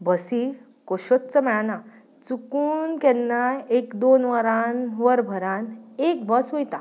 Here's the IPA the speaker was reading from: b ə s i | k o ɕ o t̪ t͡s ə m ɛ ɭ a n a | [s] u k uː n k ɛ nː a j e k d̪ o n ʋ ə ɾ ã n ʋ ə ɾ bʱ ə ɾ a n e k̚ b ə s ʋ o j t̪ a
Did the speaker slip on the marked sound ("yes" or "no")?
yes